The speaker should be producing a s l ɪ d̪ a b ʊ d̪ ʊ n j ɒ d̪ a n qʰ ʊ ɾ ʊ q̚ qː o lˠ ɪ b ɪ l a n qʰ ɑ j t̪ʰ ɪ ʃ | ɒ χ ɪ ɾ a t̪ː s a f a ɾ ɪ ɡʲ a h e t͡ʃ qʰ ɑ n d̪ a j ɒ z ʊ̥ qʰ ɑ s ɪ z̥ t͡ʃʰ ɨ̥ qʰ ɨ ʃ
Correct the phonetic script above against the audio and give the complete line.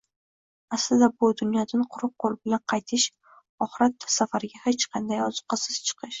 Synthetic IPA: a s l ɪ d̪ a b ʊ d̪ ʊ n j ɒ d̪ a n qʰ ʊ ɾ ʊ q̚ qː o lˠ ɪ b ɪ l a n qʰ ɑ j t̪ʰ ɪ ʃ | ɒ χ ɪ ɾ a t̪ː s a f a ɾ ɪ ɡʲ a h e t͡ʃ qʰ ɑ n d̪ a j ɒ z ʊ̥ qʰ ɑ s ɪ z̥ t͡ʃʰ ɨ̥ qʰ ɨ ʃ